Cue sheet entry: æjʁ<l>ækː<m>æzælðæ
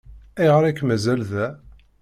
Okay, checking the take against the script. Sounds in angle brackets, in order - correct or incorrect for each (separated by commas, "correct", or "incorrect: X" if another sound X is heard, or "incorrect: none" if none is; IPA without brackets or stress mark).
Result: incorrect: ɾ, correct